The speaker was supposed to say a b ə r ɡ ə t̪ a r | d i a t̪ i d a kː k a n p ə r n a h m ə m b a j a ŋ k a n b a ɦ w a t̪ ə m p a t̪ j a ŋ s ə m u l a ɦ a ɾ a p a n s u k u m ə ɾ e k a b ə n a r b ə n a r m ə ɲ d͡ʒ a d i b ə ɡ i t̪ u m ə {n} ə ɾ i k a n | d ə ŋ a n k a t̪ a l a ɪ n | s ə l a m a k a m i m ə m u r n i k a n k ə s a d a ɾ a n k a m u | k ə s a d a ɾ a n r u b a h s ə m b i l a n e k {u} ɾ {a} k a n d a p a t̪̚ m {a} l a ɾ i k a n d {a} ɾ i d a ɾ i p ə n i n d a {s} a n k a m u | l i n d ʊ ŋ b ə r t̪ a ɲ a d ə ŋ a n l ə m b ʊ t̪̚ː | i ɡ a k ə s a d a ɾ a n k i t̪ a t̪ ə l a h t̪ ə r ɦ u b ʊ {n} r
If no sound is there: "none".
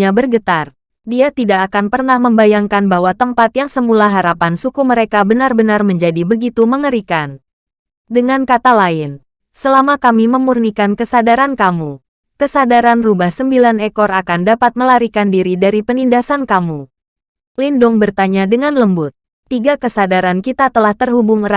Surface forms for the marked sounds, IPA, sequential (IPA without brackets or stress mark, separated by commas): ŋ, ɔ, a, ə, i, s, ŋ